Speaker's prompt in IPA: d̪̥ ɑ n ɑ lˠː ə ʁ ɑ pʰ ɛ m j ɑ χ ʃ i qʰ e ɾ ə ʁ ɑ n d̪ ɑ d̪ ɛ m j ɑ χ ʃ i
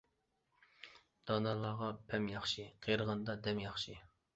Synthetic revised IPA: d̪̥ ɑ n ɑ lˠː ɑ ʁ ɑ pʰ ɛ m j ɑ χ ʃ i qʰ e ɾ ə ʁ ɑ n d̪ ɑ d̪ ɛ m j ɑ χ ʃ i